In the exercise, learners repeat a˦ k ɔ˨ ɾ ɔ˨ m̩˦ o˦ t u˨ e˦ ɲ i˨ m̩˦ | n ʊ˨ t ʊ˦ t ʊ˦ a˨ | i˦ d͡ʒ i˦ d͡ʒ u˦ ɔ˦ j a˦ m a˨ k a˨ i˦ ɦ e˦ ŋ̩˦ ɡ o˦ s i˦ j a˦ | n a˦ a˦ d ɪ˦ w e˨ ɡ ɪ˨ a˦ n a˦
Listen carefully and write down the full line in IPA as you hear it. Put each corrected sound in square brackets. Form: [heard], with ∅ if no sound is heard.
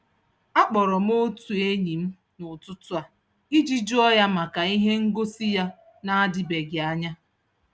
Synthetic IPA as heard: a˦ [k͡p] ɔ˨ ɾ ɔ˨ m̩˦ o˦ t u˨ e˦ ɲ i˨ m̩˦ | n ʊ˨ t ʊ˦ t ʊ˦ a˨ | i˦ d͡ʒ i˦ d͡ʒ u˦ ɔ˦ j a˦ m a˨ k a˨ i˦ ɦ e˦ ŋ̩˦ ɡ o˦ s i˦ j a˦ | n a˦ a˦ d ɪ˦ [b] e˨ ɡ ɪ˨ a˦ [ɲ] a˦